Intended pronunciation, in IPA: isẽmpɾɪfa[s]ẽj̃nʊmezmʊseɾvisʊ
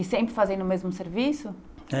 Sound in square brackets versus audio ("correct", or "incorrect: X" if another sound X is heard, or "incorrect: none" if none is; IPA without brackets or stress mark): incorrect: z